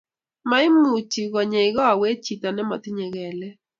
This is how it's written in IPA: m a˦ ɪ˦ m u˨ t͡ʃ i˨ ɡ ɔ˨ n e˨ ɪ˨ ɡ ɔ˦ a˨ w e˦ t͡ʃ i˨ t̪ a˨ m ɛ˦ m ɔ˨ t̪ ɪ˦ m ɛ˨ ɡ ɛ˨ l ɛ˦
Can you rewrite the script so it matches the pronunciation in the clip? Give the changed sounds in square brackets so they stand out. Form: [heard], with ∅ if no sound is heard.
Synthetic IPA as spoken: m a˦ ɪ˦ m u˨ t͡ʃ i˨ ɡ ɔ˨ [ɲ] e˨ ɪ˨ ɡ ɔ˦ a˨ w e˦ t͡ʃ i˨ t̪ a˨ [n] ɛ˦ m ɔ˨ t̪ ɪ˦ [ɲ] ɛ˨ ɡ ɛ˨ l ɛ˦